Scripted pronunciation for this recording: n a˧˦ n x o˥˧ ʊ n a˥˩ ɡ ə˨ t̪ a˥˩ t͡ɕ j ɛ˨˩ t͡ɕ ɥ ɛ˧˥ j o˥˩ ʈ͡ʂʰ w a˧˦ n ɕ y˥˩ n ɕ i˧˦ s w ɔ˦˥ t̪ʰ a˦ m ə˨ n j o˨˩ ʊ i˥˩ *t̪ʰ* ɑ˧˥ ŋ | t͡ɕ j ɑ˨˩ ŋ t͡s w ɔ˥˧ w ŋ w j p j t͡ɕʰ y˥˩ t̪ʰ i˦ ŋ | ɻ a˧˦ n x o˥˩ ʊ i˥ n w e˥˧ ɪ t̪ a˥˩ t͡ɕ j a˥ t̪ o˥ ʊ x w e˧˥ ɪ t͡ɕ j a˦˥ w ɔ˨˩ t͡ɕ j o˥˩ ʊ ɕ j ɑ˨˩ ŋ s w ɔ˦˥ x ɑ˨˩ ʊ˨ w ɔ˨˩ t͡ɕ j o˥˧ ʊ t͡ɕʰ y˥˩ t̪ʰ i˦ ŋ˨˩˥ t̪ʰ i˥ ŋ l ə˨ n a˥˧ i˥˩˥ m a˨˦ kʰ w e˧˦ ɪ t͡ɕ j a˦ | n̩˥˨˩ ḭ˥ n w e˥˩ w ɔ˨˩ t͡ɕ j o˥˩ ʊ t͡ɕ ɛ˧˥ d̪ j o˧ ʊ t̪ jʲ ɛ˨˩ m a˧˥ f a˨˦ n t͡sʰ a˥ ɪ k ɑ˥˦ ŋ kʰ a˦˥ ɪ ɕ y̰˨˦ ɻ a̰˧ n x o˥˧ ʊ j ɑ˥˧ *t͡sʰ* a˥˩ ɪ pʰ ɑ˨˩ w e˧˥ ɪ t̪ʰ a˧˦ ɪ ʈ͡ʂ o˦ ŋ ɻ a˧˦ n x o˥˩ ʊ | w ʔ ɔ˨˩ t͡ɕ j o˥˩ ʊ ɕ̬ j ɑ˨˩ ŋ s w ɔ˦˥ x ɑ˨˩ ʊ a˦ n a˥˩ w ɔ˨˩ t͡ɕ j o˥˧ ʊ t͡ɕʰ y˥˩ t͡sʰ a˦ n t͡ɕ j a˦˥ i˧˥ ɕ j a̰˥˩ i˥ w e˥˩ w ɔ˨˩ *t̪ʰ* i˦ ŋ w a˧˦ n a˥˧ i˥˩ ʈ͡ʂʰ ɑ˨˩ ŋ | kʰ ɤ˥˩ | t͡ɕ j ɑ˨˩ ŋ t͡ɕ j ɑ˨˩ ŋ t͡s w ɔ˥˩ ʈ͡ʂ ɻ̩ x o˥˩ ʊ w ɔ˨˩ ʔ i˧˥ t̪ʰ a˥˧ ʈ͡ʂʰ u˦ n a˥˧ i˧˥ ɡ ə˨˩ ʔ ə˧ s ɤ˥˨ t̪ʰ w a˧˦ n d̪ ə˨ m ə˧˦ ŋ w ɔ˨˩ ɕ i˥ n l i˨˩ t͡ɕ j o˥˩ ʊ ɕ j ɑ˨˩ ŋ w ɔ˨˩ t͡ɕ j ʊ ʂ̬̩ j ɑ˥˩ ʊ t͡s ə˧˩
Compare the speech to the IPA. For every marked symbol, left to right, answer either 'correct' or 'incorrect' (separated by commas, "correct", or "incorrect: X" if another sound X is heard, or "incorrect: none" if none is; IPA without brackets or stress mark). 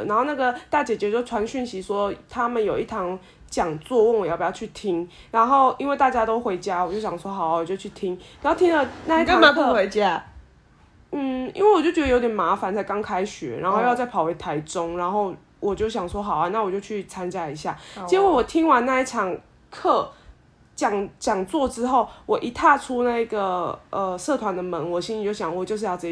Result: correct, incorrect: t͡s, correct